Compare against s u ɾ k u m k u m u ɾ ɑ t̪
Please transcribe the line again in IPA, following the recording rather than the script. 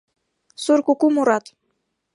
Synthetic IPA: s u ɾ k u k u m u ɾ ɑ t̪